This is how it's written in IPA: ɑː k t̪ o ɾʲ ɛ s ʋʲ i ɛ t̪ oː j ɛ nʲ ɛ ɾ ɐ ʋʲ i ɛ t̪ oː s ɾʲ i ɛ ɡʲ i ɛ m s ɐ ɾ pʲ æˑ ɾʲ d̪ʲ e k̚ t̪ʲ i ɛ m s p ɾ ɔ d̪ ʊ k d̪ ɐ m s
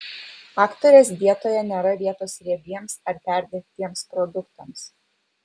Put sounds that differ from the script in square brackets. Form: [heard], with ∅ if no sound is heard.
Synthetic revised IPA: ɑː k t̪ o ɾʲ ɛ s ʋʲ i ɛ t̪ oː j ɛ nʲ ɛ ɾ ɐ ʋʲ i ɛ t̪ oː s ɾʲ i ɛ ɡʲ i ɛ m s ɐ ɾ pʲ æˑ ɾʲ d̪ʲ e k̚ t̪ʲ i ɛ m s p ɾ ɔ d̪ ʊ k [t̪] ɐ m s